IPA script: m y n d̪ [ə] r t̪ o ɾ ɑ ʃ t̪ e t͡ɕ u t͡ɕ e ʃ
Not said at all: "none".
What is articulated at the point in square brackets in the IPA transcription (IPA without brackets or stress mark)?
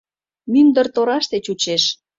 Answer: ə